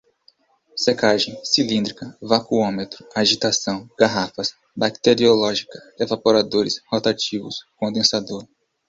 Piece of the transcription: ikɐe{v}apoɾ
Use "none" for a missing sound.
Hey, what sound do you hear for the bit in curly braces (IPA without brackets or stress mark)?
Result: v